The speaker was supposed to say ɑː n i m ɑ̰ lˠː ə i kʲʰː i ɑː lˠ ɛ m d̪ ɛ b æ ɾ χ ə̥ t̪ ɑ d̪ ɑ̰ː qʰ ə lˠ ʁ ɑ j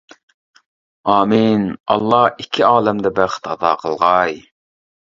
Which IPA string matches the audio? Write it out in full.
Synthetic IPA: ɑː m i n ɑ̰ lˠː ɑ i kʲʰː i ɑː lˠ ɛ m d̪ ɛ b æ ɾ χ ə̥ t̪ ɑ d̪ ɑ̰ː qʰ ə lˠ ʁ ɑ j